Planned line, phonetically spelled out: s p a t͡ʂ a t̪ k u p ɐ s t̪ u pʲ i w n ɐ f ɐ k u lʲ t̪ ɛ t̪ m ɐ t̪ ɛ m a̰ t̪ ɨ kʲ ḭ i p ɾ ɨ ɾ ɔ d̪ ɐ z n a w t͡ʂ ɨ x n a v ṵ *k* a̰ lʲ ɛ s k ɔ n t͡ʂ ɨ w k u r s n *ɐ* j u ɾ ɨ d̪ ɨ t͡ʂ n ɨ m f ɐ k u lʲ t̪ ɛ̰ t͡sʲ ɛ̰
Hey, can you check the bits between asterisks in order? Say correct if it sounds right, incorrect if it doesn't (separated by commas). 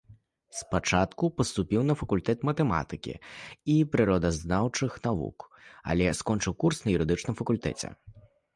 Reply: correct, correct